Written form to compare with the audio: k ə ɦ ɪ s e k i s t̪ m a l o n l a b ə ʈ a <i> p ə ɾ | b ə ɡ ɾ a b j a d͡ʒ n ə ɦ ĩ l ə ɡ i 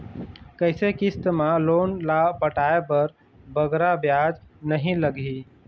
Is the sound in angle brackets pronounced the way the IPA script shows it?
no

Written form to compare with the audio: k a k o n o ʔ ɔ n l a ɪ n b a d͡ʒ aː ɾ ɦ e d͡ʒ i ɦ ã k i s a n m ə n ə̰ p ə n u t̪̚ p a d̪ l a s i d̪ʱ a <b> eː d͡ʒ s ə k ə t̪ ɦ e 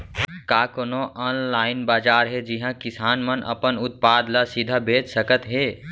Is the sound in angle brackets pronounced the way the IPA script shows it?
yes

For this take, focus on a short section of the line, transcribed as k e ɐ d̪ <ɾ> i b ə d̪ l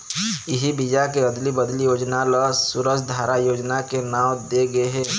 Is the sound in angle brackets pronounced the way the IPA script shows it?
no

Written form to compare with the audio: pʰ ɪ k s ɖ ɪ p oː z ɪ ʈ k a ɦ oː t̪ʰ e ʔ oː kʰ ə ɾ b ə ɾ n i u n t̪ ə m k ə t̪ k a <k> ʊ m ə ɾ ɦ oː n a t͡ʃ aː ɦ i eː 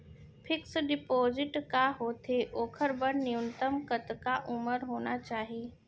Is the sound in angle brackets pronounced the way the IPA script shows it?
no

